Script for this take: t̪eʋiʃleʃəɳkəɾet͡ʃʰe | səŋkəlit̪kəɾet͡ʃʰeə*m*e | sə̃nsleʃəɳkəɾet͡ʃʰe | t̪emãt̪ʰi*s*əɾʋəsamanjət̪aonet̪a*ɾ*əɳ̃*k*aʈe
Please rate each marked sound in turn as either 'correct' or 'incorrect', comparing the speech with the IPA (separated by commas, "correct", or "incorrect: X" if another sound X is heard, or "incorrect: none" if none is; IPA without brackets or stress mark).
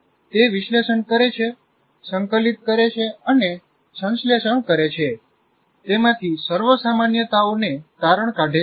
incorrect: n, correct, correct, correct